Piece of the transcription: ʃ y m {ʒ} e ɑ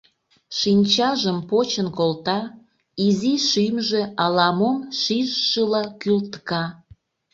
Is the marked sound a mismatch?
no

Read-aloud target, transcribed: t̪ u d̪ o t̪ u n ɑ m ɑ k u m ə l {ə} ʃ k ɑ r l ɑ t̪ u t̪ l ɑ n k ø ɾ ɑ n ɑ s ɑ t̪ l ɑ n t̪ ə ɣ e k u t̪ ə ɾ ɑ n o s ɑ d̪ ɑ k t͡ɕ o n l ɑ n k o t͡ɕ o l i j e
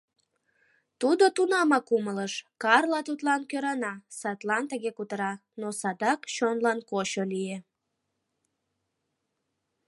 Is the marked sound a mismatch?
no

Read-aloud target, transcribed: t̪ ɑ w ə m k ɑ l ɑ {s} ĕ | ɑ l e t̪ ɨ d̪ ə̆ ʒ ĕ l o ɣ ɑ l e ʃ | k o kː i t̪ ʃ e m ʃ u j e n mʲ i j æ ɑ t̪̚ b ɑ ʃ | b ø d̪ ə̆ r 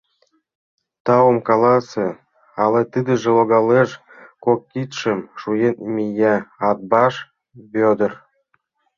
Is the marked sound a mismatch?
no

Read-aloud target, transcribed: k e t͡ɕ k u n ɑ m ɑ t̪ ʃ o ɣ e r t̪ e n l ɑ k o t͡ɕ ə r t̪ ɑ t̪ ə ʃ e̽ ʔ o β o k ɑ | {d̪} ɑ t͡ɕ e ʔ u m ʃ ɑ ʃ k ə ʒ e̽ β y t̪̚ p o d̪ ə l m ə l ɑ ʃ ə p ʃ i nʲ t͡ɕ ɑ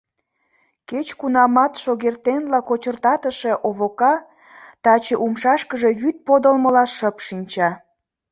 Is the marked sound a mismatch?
yes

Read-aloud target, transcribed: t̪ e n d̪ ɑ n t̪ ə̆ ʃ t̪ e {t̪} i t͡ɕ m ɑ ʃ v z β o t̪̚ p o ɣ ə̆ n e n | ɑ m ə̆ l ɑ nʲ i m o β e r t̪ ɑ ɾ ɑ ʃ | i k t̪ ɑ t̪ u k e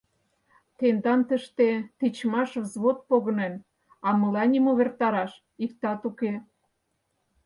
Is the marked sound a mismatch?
no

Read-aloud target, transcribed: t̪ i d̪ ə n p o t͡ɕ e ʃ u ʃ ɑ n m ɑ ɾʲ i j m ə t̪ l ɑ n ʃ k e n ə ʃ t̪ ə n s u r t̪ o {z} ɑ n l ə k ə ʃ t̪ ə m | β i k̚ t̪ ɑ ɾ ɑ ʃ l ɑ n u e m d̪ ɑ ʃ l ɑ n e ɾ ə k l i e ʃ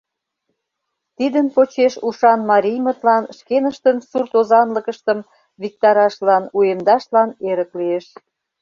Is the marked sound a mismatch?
no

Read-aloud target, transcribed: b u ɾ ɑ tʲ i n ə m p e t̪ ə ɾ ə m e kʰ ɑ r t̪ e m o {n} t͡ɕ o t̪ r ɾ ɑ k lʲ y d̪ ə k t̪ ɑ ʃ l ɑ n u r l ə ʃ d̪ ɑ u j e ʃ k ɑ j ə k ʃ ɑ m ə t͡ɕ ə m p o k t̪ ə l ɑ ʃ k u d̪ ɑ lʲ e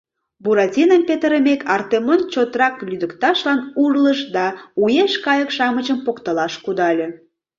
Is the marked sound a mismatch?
no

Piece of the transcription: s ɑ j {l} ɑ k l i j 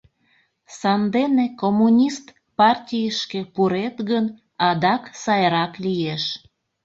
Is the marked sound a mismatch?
yes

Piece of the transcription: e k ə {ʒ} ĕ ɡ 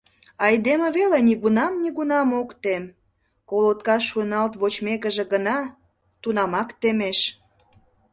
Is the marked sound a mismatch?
no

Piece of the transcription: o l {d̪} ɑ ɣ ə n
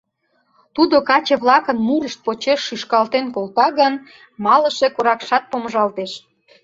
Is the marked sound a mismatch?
yes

